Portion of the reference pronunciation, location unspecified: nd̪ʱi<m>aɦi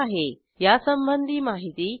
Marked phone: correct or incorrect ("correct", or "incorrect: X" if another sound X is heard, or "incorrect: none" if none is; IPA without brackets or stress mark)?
correct